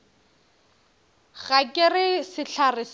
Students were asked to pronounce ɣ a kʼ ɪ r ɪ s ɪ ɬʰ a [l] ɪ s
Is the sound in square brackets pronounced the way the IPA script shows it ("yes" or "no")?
no